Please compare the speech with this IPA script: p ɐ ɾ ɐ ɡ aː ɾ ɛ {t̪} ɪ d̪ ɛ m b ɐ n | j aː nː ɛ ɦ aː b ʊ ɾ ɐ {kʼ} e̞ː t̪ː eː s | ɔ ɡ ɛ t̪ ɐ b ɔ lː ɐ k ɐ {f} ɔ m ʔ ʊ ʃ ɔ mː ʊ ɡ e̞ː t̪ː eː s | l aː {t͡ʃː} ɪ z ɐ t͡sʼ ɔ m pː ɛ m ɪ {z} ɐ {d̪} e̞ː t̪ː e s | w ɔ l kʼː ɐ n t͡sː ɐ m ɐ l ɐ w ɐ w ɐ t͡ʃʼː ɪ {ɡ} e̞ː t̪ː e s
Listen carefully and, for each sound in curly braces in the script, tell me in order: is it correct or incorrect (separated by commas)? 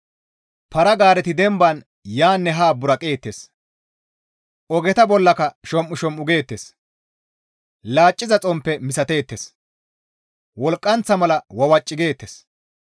correct, correct, incorrect, incorrect, incorrect, incorrect, correct